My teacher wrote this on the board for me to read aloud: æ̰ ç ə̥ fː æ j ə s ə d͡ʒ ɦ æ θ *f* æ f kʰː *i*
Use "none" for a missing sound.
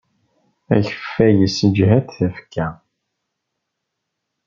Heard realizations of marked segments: θ, æ

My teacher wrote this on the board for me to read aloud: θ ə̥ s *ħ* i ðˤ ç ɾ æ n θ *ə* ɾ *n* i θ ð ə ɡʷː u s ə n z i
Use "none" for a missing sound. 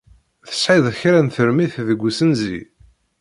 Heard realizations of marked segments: ħ, ə, m

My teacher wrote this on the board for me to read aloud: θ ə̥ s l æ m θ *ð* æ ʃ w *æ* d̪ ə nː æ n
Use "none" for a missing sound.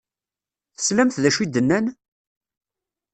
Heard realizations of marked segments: ð, i

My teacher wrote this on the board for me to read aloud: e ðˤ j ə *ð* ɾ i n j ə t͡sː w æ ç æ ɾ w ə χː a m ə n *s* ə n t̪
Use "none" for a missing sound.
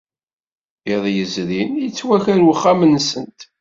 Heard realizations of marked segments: z, s

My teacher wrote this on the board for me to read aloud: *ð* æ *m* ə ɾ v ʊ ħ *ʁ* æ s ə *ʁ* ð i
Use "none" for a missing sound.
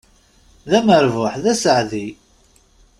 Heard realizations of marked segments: ð, m, ð, ʕ

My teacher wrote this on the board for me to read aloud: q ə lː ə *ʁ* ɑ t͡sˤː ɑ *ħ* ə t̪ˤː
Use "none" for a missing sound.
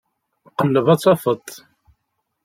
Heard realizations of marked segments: v, f

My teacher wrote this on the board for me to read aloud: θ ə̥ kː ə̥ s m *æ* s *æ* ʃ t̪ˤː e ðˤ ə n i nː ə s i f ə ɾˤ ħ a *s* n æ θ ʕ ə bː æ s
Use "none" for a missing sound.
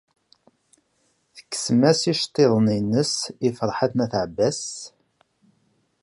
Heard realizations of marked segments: æ, i, θ

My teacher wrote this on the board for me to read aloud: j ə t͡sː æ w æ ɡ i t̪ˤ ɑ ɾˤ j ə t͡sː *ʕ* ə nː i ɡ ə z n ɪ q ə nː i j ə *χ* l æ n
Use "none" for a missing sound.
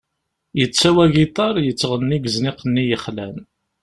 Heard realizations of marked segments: ʁ, χ

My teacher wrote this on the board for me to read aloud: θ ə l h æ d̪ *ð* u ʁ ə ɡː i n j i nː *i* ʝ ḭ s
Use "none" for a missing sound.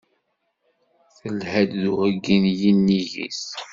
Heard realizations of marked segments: ð, i

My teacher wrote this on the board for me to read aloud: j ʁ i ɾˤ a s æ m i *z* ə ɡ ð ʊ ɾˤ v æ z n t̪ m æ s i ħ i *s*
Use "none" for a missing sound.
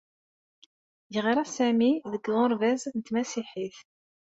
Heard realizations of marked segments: ð, θ

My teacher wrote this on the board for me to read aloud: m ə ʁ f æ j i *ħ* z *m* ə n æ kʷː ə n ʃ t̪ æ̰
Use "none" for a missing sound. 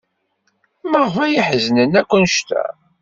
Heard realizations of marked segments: ħ, n

